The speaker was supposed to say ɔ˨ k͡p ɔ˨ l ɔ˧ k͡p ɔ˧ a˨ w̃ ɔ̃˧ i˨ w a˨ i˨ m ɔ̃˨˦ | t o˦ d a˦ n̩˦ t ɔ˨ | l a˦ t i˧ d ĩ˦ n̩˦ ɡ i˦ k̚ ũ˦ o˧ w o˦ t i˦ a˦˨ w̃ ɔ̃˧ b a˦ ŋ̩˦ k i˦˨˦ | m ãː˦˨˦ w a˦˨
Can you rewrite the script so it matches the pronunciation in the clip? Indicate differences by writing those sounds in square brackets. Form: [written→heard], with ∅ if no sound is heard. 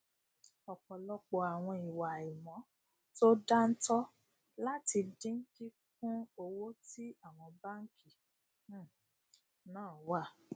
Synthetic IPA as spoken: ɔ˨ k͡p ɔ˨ l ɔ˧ k͡p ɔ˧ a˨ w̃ ɔ̃˧ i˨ w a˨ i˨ m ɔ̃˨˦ | t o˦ d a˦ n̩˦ t [ɔ˨→ɔ˦] | l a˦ t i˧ d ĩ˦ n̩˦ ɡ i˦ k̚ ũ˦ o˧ w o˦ t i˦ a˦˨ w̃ ɔ̃˧ b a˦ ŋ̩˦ k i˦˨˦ | [m→n] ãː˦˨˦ w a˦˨